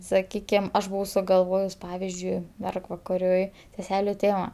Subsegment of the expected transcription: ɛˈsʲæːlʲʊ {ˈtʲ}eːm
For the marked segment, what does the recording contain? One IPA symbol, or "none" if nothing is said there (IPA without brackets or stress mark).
tʲ